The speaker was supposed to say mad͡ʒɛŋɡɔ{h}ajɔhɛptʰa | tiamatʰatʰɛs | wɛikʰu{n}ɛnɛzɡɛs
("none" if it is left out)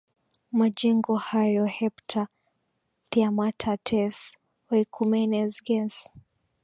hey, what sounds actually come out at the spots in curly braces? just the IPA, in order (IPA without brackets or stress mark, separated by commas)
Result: h, m